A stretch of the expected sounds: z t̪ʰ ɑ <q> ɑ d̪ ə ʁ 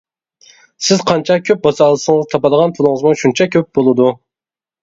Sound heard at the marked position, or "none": p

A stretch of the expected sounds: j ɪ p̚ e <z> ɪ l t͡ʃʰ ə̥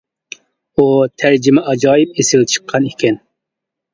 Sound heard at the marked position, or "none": s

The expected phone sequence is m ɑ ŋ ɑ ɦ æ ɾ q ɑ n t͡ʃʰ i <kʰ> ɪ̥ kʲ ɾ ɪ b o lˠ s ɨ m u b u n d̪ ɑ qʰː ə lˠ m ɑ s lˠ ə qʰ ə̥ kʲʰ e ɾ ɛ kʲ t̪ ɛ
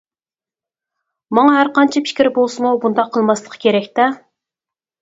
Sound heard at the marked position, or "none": pʰ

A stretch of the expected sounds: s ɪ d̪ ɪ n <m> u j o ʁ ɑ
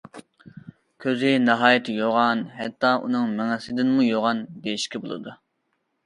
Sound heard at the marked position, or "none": m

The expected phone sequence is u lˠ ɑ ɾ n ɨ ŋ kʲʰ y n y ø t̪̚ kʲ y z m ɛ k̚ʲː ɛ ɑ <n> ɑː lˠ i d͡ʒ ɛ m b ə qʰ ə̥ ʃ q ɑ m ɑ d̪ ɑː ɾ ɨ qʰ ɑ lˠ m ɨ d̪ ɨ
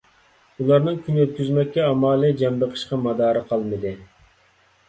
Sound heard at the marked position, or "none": m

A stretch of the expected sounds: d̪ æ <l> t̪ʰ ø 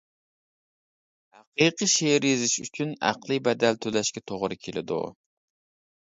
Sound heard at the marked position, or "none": l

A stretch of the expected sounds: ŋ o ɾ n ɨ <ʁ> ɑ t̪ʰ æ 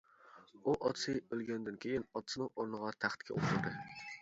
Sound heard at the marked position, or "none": ʁ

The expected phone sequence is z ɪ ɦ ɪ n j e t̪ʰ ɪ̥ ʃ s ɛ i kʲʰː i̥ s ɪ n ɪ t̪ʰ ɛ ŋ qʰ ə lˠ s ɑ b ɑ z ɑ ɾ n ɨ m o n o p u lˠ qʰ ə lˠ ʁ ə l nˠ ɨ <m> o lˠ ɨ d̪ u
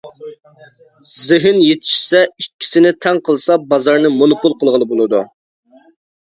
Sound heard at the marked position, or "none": b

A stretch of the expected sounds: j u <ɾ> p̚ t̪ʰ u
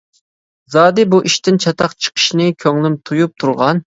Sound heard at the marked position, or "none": none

